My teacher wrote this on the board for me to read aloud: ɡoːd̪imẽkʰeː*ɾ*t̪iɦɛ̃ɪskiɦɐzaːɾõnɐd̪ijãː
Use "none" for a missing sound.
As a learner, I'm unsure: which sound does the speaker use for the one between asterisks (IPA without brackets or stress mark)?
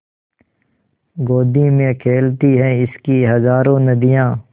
l